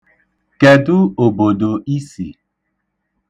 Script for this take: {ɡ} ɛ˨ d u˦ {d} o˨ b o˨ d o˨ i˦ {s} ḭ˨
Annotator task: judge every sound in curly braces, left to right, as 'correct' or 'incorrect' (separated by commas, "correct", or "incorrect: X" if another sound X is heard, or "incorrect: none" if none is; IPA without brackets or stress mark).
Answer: incorrect: k, incorrect: none, correct